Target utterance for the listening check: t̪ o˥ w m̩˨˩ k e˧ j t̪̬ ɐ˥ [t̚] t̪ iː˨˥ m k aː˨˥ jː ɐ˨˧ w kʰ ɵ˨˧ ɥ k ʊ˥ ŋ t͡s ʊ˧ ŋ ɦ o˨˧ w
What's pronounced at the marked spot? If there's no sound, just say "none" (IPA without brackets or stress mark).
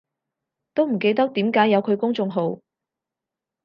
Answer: k̚